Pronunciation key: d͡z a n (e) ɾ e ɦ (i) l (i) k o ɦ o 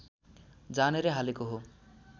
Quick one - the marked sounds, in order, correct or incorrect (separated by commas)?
correct, incorrect, incorrect